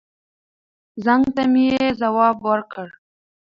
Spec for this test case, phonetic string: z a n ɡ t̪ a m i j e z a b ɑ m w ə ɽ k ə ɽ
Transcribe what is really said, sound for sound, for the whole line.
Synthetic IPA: z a ŋ ɡ t̪ a m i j e z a w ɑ b w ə ɾ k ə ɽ